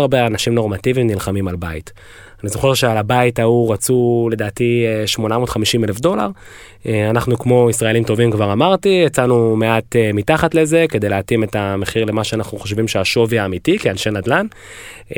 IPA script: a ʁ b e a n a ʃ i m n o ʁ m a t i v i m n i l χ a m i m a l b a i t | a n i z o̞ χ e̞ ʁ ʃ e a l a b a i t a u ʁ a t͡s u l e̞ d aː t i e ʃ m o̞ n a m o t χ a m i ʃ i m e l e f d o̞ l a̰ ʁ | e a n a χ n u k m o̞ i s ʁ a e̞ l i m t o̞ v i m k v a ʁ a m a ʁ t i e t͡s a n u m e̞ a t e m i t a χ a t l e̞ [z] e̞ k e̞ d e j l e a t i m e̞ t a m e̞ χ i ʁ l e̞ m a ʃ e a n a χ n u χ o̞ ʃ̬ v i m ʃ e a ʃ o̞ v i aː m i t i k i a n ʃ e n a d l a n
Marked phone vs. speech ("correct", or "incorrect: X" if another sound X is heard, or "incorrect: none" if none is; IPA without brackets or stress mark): correct